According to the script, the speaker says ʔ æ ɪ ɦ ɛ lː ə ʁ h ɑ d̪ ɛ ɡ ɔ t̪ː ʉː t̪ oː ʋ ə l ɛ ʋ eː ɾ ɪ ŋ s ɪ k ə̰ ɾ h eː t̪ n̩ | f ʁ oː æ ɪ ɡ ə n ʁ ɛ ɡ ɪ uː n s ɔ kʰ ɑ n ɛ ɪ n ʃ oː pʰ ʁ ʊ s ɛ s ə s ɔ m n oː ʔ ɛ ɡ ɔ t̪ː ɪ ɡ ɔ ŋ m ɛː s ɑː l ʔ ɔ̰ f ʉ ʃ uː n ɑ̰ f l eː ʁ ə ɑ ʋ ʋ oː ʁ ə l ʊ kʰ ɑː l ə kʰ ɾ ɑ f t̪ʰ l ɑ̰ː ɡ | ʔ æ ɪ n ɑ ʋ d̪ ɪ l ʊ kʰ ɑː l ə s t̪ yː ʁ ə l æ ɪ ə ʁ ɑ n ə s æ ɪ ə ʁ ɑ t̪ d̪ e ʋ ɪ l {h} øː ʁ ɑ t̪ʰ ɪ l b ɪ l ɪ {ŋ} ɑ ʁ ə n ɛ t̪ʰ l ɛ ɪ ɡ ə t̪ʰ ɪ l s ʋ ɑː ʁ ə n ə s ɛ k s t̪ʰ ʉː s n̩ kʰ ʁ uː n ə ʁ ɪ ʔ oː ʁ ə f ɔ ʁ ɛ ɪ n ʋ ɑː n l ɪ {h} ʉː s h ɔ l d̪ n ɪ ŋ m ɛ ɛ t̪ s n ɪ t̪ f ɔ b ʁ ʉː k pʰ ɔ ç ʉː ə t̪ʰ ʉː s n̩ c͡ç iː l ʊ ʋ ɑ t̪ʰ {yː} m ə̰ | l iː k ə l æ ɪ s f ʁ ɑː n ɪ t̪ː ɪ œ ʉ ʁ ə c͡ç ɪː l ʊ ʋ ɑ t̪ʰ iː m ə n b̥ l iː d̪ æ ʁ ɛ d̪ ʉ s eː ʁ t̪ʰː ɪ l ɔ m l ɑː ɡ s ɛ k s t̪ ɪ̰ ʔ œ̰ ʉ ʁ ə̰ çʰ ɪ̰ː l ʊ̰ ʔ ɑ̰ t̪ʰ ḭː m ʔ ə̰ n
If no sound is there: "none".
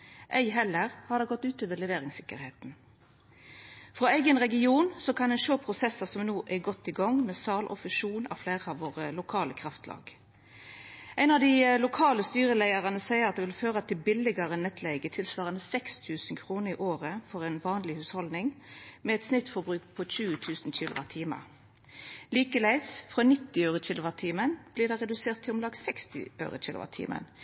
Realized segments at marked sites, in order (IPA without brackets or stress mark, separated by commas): f, ɡ, h, iː